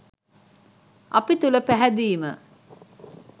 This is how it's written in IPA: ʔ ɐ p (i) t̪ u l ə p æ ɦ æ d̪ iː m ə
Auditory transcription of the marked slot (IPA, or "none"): i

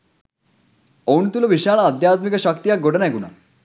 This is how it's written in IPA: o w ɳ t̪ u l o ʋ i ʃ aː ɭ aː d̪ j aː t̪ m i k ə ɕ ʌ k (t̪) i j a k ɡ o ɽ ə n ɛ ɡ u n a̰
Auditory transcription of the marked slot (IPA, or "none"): t̪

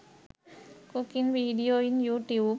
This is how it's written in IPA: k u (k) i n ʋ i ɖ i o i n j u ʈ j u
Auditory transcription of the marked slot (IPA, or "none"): k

